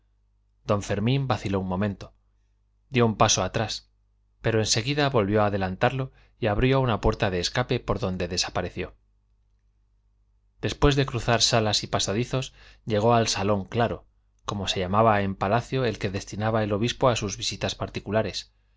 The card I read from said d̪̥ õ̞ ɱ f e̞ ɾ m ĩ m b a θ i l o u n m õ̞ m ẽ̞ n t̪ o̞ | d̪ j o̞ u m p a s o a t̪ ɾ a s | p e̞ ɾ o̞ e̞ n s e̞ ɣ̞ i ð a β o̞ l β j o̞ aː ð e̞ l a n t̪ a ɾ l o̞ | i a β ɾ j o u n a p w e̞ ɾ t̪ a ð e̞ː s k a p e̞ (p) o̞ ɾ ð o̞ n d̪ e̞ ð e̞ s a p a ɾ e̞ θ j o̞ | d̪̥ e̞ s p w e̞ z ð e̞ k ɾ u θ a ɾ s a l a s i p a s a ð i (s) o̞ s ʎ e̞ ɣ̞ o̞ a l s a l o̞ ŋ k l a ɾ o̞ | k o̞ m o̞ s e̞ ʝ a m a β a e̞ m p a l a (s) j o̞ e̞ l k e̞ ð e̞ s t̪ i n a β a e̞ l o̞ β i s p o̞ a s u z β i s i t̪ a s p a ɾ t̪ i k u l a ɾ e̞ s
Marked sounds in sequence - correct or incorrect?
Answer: correct, incorrect, incorrect

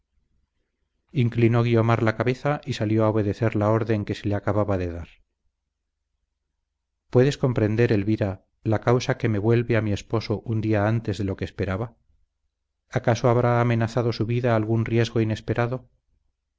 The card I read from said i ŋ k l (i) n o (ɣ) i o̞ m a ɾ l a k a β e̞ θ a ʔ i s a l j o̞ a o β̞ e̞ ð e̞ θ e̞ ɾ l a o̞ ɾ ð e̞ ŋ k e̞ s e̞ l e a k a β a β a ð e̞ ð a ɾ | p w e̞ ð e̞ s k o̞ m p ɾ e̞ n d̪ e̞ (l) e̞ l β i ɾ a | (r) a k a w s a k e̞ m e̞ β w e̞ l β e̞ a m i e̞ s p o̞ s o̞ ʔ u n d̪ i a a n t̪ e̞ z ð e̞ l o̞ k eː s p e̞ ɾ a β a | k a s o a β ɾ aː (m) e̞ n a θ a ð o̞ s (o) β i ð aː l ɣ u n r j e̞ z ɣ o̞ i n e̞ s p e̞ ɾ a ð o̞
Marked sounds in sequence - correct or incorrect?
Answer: correct, correct, incorrect, incorrect, correct, incorrect

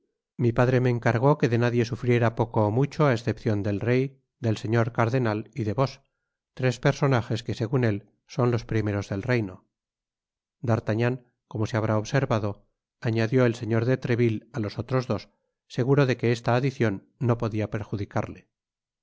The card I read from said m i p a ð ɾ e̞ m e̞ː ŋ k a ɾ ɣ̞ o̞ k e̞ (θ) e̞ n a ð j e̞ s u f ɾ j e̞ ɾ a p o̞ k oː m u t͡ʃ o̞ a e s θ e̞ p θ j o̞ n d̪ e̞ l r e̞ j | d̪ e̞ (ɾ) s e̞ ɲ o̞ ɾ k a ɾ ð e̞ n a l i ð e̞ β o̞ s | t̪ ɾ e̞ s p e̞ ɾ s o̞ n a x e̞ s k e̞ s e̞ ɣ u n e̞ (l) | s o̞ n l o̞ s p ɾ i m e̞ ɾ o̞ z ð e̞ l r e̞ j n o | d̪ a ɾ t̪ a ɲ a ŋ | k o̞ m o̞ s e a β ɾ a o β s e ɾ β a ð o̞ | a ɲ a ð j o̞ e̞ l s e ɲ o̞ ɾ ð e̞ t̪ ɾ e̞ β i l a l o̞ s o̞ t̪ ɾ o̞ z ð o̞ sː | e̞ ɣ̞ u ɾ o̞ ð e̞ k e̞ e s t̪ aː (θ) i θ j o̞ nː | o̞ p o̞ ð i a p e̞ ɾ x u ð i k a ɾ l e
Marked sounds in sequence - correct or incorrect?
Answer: incorrect, incorrect, correct, incorrect

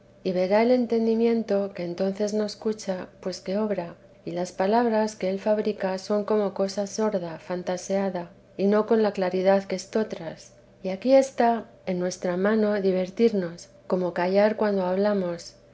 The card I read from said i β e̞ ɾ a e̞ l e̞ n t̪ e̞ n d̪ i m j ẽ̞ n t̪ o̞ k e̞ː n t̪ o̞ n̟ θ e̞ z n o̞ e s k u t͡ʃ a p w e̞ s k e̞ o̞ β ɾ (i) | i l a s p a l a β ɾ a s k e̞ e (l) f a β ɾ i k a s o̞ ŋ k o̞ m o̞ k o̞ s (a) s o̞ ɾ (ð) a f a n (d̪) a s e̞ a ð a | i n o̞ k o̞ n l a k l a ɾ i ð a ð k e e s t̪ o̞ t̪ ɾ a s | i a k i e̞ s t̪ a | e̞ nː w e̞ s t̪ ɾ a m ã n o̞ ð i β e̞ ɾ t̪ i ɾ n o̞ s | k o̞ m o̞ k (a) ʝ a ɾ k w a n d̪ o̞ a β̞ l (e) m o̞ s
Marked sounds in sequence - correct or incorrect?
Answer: incorrect, correct, correct, correct, incorrect, correct, incorrect

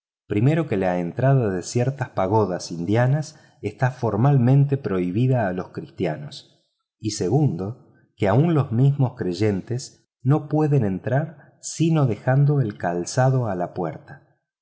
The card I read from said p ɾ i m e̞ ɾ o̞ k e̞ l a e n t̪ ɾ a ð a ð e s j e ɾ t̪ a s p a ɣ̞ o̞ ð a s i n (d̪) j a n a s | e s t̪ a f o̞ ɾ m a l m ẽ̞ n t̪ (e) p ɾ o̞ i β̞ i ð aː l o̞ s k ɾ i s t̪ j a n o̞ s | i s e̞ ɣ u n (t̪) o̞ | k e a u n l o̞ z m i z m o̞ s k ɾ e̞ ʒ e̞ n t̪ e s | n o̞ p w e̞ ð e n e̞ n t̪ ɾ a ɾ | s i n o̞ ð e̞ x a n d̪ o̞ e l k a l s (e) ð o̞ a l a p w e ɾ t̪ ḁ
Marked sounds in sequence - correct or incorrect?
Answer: correct, correct, incorrect, incorrect

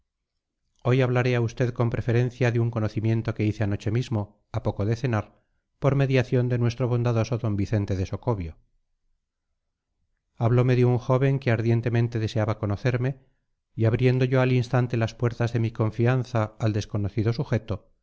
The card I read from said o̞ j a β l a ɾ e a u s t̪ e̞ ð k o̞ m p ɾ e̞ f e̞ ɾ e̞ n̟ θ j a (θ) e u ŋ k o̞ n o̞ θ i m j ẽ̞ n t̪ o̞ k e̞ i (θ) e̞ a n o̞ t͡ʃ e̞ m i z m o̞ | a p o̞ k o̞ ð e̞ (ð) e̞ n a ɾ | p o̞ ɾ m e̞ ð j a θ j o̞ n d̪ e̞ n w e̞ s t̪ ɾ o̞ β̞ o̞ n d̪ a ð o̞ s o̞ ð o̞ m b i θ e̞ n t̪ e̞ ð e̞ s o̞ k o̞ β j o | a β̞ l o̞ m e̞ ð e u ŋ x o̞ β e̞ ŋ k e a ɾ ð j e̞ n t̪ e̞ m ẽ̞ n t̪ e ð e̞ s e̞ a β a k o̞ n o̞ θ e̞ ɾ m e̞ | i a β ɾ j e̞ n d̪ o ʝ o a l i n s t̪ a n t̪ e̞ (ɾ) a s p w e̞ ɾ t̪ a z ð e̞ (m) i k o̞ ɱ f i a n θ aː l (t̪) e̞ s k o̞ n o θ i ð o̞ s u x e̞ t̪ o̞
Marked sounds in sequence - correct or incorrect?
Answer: incorrect, correct, incorrect, incorrect, correct, incorrect

